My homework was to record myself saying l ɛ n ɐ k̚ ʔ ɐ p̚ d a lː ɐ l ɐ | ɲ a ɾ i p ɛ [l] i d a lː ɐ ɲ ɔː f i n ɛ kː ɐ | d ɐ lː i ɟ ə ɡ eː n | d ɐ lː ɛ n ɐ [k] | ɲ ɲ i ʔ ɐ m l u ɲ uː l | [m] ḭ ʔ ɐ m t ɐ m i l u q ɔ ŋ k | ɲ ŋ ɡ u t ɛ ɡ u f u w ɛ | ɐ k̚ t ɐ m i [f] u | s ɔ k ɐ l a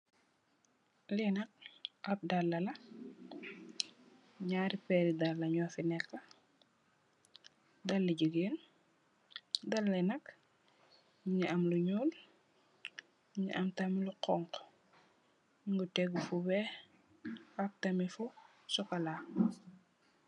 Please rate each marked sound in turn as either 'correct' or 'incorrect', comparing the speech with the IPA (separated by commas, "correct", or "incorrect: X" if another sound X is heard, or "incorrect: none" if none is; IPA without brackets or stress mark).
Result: incorrect: ɾ, correct, incorrect: ɲ, correct